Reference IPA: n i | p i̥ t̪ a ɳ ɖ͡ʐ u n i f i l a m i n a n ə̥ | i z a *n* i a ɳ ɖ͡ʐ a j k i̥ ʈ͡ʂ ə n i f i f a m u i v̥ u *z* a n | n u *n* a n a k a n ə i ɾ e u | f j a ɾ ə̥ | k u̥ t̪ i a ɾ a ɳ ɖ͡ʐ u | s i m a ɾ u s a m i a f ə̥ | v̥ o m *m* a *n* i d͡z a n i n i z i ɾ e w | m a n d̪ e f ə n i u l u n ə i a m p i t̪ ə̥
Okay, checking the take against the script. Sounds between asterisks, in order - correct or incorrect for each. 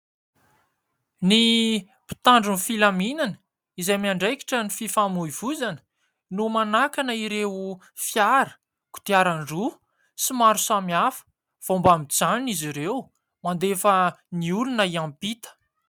incorrect: m, correct, incorrect: m, incorrect: b, incorrect: m

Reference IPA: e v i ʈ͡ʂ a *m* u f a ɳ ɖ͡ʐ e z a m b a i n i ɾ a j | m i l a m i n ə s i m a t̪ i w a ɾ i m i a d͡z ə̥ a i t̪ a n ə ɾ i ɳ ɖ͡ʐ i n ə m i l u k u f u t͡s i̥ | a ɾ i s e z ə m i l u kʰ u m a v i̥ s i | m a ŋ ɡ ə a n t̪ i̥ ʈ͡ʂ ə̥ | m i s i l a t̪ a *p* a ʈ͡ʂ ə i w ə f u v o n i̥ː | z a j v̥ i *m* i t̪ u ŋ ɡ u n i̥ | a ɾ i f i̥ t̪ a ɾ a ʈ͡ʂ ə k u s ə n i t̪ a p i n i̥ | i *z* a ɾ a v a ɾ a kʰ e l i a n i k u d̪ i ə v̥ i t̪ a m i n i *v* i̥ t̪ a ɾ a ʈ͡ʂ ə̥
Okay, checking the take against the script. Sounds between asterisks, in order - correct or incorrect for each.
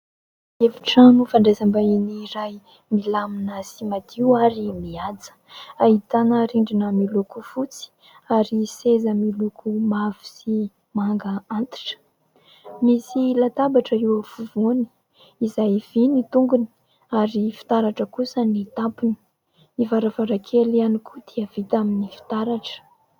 incorrect: n, incorrect: b, incorrect: n, incorrect: v, incorrect: f

